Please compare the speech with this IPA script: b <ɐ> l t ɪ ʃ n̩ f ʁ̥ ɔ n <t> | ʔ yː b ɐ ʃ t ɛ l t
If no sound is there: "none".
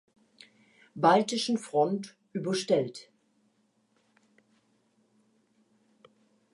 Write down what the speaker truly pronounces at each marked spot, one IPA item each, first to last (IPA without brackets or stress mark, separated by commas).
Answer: a, t